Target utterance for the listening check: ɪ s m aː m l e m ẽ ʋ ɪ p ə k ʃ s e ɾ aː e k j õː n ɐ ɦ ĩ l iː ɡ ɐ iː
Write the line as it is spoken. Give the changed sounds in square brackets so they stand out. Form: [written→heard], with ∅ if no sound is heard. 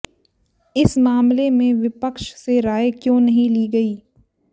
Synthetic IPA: ɪ s m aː m l e m ẽ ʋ ɪ p ə k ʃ s e ɾ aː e k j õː n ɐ ɦ ĩ l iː ɡ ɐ iː